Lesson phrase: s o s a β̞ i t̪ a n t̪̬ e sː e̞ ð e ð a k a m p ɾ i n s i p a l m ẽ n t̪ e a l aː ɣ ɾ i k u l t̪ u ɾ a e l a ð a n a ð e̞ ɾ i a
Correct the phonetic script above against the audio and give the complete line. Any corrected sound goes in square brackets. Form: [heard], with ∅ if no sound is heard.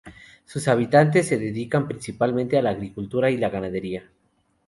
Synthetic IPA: s [u] s a β̞ i t̪ a n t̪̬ e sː e̞ ð e ð [i] k a m p ɾ i n s i p a l m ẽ n t̪ e a l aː ɣ ɾ i k u l t̪ u ɾ a [i] l a [ɣ] a n a ð e̞ ɾ i a